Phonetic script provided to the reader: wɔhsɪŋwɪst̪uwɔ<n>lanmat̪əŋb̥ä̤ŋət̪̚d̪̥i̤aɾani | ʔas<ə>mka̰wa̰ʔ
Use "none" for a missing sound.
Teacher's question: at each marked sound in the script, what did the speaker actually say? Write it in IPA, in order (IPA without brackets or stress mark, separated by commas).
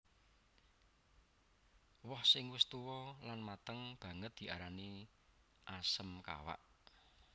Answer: none, ə